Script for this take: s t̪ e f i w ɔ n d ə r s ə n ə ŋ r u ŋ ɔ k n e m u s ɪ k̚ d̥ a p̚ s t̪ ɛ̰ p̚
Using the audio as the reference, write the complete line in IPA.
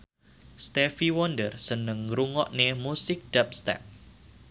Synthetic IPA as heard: s t̪ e f i w ɔ n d ə r s ə n ə ŋ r u ŋ ɔ ʔ n e m u s ɪ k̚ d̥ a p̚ s t̪ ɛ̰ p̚